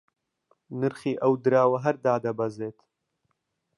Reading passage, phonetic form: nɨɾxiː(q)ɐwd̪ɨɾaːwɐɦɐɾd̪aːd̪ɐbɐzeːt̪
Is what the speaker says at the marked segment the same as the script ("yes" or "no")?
no